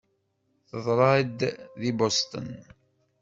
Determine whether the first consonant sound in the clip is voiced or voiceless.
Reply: voiceless